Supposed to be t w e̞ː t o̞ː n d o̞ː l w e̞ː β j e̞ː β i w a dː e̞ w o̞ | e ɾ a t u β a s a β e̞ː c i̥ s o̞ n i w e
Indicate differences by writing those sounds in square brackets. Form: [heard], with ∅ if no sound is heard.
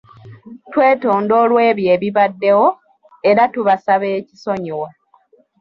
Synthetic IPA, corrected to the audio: t w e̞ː t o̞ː n d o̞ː l w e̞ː β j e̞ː β i [β] a dː e̞ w o̞ | e ɾ a t u β a s a β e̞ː c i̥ s o̞ [ɲ] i w [a]